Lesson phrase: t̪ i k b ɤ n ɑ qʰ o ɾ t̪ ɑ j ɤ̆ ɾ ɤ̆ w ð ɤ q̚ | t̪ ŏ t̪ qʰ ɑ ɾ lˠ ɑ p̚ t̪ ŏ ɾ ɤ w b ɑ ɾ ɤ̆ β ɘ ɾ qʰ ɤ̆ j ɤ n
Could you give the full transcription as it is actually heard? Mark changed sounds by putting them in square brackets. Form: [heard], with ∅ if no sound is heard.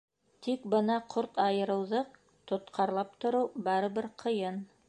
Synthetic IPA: t̪ i k b ɤ n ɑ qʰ o ɾ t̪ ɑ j ɤ̆ ɾ ɤ̆ w ð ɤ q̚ | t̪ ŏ t̪ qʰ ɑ ɾ lˠ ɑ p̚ t̪ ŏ ɾ ɤ w b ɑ ɾ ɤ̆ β ɘ ɾ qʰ ɤ̆ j ɤ n